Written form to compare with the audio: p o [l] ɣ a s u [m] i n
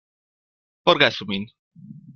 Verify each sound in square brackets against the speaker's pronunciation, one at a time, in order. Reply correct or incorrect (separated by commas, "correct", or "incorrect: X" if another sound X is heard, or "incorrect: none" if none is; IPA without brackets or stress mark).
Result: incorrect: ɾ, correct